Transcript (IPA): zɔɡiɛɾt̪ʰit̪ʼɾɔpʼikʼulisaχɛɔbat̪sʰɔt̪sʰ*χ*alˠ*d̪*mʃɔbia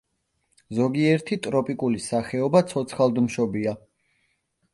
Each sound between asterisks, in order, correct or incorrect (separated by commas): correct, correct